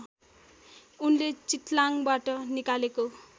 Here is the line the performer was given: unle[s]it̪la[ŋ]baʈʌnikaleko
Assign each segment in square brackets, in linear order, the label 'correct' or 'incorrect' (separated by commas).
incorrect, correct